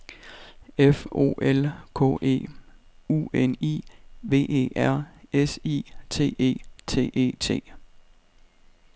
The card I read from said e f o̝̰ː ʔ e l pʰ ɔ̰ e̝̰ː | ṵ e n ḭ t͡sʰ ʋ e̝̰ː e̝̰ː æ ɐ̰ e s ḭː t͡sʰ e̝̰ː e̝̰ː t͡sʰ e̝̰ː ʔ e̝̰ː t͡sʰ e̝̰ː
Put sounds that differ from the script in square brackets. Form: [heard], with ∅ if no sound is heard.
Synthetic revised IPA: e f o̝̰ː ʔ e l [kʰ] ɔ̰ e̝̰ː | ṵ e n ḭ [∅] ʋ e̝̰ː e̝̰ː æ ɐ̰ e s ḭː t͡sʰ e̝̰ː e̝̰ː t͡sʰ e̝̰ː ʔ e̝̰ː t͡sʰ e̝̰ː

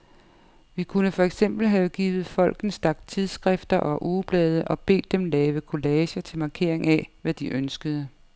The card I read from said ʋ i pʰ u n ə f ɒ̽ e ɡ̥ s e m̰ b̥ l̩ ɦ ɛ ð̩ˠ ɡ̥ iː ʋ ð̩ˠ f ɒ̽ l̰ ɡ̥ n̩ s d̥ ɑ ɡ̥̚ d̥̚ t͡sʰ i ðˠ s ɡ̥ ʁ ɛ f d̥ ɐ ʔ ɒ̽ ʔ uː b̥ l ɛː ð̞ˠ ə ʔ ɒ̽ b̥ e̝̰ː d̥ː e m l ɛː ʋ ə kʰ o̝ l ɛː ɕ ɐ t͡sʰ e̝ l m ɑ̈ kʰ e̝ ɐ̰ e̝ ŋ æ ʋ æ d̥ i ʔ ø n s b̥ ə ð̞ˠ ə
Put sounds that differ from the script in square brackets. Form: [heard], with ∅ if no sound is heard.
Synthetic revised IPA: ʋ i [kʰ] u n ə f ɒ̽ e ɡ̥ s e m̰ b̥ l̩ ɦ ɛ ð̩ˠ ɡ̥ iː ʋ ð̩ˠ f ɒ̽ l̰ ɡ̥ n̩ s d̥ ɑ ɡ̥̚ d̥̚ t͡sʰ i ðˠ s ɡ̥ ʁ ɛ f d̥ ɐ ʔ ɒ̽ ʔ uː b̥ l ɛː ð̞ˠ ə ʔ ɒ̽ b̥ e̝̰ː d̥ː e m l ɛː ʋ ə kʰ o̝ l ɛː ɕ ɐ t͡sʰ e̝ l m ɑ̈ kʰ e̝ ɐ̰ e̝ ŋ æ ʋ æ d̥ i ʔ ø n s [ɡ̥] ə ð̞ˠ ə

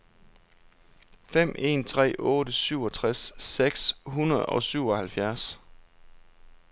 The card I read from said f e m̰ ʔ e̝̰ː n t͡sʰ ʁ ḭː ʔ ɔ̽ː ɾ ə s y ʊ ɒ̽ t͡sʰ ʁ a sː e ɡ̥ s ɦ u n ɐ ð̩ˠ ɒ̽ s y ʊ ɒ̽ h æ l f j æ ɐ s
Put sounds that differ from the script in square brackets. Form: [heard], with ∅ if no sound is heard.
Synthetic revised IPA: f e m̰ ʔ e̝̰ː n t͡sʰ ʁ [ɛ̰ː] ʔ ɔ̽ː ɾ ə s y ʊ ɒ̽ t͡sʰ ʁ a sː e ɡ̥ s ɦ u n ɐ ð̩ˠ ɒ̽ s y ʊ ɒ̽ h æ l f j æ ɐ s

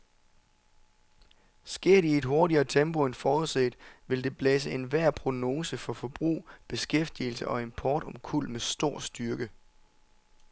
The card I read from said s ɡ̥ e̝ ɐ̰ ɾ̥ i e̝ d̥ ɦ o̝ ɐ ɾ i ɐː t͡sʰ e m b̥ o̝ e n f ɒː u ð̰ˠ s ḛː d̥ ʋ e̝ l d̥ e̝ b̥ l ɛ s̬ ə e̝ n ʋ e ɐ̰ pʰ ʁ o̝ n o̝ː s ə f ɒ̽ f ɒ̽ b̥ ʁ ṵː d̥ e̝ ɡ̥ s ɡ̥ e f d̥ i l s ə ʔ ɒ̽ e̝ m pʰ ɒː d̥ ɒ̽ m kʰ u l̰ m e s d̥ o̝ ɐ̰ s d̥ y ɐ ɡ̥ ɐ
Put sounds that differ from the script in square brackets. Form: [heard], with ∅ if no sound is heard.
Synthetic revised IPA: s ɡ̥ e̝ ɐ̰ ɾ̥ i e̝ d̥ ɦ o̝ ɐ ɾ i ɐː t͡sʰ e m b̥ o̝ e n f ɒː u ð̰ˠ s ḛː d̥ ʋ e̝ l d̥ e̝ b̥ l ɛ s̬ ə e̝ n ʋ [æ] ɐ̰ pʰ ʁ o̝ n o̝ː s ə f ɒ̽ f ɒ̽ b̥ ʁ ṵː [b̥] e̝ [∅] s ɡ̥ e f d̥ i l s ə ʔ ɒ̽ e̝ m pʰ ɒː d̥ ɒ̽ m kʰ u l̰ m e s d̥ o̝ ɐ̰ s d̥ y ɐ ɡ̥ [ə]

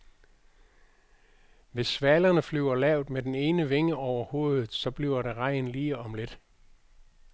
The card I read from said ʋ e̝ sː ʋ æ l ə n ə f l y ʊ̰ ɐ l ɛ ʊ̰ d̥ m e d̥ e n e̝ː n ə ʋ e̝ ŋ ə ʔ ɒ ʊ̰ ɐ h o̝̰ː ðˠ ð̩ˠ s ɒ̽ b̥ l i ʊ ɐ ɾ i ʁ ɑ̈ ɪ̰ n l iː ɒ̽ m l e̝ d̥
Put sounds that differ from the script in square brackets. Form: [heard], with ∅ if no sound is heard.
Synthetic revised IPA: ʋ e̝ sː ʋ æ l [ɐ] n ə f l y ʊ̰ ɐ l ɛ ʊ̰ d̥ m e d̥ e n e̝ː n ə ʋ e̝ ŋ ə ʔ ɒ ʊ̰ ɐ h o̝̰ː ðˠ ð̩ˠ s ɒ̽ b̥ l i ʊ ɐ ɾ [e] ʁ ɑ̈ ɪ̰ n l iː ɒ̽ m l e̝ d̥

